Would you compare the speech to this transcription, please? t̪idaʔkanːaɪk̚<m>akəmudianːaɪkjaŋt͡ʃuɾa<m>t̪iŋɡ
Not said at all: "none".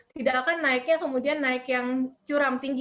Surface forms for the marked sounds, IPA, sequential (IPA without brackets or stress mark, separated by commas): ɲ, m